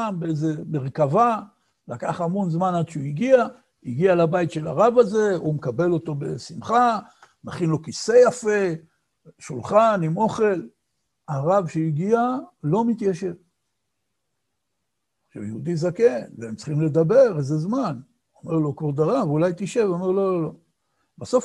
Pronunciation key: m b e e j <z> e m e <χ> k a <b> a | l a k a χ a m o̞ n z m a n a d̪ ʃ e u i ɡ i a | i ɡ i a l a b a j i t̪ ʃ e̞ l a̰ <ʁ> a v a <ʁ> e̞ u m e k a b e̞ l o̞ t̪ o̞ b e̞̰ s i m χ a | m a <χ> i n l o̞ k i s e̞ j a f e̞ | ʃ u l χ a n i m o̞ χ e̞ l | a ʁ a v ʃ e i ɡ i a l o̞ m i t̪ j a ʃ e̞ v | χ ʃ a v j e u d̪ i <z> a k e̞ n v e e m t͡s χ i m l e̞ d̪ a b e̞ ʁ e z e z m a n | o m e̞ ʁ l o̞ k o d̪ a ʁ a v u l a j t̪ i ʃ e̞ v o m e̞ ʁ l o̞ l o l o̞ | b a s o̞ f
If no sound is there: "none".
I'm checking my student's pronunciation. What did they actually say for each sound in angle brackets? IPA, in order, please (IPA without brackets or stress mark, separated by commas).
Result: z, ʁ, v, ʁ, z, χ, z